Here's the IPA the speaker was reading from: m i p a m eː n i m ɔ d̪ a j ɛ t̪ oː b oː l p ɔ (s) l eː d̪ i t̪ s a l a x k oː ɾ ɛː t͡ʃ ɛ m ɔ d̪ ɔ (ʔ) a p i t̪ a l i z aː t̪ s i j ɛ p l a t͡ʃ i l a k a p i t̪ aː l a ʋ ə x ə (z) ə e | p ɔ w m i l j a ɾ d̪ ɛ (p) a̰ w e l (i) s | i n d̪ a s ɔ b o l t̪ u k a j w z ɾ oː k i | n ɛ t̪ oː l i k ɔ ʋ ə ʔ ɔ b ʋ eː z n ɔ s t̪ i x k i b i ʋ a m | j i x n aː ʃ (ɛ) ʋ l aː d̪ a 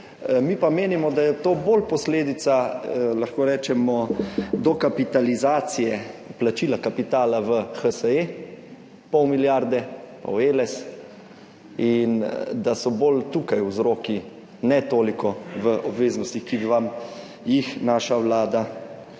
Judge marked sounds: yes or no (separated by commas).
yes, no, no, yes, no, no